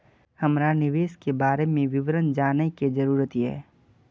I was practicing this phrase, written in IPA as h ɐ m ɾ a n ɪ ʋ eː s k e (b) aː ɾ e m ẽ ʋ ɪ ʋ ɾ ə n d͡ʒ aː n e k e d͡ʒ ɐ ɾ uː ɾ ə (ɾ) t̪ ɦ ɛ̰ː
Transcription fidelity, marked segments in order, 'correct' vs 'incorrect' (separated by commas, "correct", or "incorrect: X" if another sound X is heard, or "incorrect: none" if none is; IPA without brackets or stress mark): correct, incorrect: none